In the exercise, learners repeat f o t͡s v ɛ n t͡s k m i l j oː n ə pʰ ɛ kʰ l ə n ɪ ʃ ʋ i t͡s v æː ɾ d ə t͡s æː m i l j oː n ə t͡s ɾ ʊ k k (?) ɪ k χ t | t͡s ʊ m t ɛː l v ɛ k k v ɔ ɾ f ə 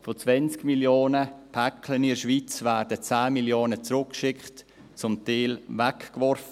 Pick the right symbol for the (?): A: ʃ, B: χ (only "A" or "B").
A